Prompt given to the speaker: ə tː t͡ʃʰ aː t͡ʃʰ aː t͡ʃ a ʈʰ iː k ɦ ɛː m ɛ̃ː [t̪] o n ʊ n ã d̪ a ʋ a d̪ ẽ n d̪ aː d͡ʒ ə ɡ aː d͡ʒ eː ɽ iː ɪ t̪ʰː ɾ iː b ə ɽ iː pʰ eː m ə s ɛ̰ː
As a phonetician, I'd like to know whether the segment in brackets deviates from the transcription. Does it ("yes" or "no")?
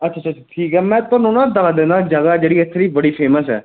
no